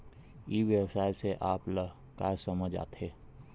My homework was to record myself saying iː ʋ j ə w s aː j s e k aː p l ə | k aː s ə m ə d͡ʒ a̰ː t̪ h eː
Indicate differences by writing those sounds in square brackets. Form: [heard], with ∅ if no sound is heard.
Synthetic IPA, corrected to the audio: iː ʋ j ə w s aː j s e [ʔ] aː p l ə | k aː s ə m ə d͡ʒ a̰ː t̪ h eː